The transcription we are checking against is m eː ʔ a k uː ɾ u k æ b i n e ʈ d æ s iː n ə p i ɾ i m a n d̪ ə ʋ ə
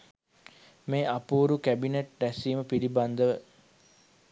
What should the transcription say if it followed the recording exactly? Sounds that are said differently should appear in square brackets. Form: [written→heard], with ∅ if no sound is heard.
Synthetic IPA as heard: m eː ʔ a [k→p] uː ɾ u k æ b i n e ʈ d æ s iː [n→m] ə p i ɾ i [m→b] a n d̪ ə ʋ ə